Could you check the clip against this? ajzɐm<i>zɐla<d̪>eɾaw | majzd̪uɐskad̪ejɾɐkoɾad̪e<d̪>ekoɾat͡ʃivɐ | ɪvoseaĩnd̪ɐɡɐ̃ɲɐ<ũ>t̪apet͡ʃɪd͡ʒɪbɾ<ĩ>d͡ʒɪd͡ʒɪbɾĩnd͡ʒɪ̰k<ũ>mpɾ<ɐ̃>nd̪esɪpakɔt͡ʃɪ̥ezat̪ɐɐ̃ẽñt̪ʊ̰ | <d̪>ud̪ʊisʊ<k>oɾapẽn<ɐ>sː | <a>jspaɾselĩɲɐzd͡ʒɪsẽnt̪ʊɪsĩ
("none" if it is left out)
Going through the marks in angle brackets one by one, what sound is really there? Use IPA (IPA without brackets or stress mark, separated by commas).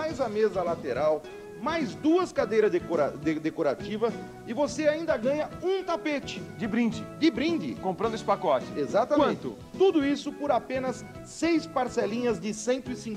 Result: e, t̪, d̪, ũ, ĩ, õ, ɐ̃, t̪, p, ɐ, e